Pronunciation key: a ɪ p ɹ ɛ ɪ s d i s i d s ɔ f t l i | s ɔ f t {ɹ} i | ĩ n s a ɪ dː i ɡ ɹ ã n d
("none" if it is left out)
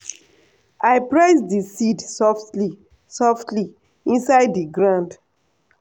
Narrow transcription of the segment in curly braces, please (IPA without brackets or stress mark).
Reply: l